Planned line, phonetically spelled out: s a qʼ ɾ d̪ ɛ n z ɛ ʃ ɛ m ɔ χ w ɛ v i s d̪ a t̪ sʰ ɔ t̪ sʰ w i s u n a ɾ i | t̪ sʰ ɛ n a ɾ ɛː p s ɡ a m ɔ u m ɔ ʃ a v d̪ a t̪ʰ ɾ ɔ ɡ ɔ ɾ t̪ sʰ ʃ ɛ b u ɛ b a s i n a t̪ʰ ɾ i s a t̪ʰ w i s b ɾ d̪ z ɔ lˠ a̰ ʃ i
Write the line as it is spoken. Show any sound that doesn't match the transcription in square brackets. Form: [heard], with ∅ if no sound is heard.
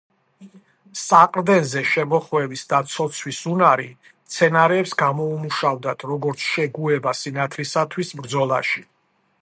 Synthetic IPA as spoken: s a qʼ ɾ d̪ ɛ n z ɛ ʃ ɛ m ɔ χ w ɛ v i s d̪ a t̪ sʰ ɔ t̪ sʰ w i s u n a ɾ i | t̪ sʰ ɛ n a ɾ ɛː p s ɡ a m ɔ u m [u] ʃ a v d̪ a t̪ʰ ɾ ɔ ɡ ɔ ɾ t̪ sʰ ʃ ɛ [ɡ] u ɛ b a s i n a t̪ʰ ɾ i s a t̪ʰ w i s b ɾ d̪ z ɔ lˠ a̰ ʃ i